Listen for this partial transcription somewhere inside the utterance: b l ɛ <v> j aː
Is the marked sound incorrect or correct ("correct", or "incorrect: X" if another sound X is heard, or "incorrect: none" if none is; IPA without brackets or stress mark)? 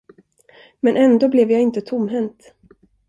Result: correct